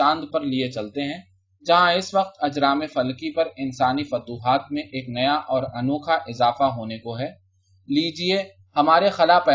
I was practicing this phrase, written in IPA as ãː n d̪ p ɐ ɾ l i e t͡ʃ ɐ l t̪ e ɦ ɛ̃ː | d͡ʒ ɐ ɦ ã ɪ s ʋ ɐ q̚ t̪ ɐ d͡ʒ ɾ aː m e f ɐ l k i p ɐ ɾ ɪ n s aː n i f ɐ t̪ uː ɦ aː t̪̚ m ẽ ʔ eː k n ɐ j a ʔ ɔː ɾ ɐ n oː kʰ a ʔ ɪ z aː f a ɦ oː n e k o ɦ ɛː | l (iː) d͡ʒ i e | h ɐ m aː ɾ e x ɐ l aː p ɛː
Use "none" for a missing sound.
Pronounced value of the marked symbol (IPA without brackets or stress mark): iː